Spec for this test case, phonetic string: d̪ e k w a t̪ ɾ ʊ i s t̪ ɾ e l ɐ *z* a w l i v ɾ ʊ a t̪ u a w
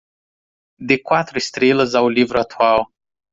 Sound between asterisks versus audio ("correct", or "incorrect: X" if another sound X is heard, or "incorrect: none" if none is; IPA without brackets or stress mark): correct